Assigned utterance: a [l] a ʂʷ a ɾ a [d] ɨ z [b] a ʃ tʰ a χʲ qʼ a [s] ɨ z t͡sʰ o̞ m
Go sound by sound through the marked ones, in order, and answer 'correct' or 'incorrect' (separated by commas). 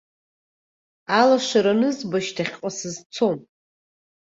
correct, incorrect, correct, correct